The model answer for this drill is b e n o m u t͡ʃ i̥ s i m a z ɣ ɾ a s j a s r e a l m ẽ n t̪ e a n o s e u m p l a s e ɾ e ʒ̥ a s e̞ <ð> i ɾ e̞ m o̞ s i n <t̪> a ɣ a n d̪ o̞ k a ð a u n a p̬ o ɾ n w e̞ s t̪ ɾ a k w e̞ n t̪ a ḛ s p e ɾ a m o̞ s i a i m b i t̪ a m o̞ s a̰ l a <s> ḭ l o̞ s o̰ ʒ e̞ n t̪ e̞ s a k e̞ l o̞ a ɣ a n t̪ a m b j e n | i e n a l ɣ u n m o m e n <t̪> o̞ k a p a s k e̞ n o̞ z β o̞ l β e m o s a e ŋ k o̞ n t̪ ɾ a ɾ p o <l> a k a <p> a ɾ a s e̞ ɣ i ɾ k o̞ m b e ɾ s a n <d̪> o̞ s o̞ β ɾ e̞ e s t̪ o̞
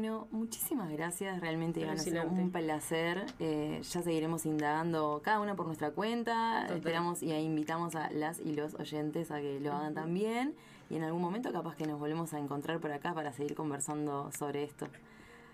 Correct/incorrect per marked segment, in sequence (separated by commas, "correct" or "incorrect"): incorrect, incorrect, correct, correct, incorrect, correct, correct